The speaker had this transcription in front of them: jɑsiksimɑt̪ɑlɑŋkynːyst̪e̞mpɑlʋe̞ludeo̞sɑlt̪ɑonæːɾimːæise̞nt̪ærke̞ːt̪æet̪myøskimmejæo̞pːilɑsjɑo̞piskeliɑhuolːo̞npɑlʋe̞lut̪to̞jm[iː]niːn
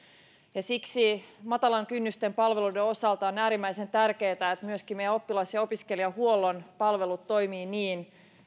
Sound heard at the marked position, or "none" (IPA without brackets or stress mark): iː